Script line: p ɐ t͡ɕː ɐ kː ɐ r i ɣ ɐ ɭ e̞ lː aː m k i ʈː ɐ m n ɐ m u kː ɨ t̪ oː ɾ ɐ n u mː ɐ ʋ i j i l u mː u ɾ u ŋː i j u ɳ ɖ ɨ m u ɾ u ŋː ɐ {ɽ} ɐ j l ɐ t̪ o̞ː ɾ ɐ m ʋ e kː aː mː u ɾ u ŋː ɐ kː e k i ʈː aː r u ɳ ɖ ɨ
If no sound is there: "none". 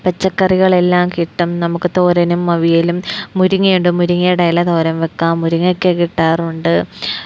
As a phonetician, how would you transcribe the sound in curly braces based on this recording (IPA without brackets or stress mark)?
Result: ɽ